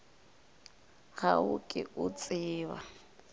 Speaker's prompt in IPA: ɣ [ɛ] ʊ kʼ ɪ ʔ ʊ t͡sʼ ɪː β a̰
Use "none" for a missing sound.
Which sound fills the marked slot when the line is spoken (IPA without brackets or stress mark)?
a